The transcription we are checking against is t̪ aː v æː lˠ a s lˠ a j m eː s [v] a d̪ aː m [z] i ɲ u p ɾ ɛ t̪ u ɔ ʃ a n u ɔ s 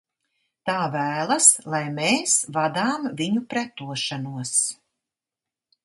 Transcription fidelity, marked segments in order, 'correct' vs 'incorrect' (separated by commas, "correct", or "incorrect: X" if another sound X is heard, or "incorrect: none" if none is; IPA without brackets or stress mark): correct, incorrect: v